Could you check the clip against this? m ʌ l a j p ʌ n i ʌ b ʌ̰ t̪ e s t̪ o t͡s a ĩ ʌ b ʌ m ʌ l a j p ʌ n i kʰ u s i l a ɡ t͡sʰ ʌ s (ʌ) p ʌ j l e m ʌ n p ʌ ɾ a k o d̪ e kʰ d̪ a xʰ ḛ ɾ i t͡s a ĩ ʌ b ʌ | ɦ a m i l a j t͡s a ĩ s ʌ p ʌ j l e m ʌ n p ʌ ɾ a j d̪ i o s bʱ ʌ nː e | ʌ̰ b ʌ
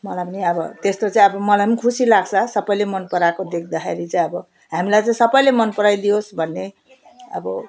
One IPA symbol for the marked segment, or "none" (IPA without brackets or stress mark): ʌ